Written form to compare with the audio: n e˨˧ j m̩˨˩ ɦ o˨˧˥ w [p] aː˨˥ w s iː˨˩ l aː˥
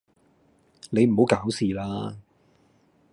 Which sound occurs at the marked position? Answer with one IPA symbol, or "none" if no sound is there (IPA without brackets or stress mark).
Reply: k